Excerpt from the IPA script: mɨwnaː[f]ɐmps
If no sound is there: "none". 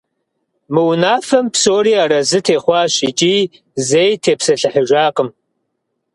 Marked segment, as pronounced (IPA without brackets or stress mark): f